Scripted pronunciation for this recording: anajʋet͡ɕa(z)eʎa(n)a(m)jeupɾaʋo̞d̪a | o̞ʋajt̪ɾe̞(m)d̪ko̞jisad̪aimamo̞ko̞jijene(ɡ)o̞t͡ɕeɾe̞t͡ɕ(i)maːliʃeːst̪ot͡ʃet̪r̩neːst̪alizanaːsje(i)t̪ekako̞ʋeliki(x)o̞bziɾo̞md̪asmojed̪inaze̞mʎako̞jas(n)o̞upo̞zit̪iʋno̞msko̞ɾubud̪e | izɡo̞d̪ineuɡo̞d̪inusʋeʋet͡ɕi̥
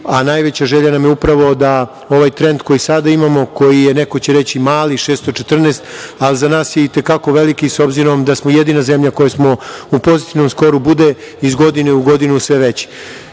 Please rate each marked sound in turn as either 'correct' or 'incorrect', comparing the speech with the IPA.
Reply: incorrect: ʒ, correct, correct, incorrect: n, incorrect: k, correct, correct, incorrect: s, incorrect: m

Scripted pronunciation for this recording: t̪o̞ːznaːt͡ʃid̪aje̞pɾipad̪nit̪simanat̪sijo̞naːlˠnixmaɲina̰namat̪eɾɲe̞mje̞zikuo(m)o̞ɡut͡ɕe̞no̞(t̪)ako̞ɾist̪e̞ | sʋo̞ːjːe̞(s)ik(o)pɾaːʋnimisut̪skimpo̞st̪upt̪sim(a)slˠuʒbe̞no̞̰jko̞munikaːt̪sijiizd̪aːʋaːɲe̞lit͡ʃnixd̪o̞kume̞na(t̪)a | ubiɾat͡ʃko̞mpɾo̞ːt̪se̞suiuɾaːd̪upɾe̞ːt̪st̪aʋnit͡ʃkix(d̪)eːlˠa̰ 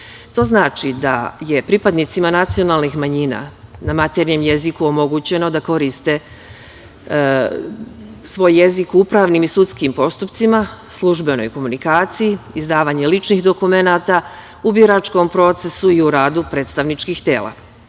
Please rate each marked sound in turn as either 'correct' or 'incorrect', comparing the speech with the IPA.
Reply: correct, incorrect: d̪, incorrect: z, incorrect: u, correct, correct, incorrect: t̪

